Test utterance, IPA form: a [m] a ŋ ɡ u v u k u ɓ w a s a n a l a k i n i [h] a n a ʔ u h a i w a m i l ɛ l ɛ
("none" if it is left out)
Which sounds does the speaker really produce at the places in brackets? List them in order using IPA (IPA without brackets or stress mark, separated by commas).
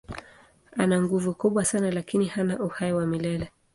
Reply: n, h